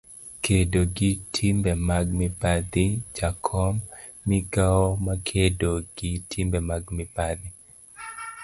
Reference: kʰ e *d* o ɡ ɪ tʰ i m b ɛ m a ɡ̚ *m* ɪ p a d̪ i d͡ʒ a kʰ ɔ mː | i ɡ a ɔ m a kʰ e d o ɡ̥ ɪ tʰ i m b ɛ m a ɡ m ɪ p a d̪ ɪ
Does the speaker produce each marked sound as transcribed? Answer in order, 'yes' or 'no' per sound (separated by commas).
yes, yes